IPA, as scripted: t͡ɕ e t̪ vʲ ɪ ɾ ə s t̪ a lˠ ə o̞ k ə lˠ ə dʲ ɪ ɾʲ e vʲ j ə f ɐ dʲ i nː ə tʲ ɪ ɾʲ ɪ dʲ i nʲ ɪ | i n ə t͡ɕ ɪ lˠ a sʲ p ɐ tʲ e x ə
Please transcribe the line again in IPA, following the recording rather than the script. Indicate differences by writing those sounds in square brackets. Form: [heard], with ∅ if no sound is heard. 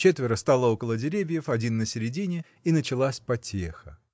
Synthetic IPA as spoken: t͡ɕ e t̪ vʲ ɪ ɾ ə s t̪ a lˠ ə o̞ k ə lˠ ə dʲ ɪ ɾʲ e vʲ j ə f ɐ dʲ i nː ə [sʲ] ɪ ɾʲ ɪ dʲ i nʲ ɪ | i n ə t͡ɕ ɪ lˠ a sʲ p ɐ tʲ e x ə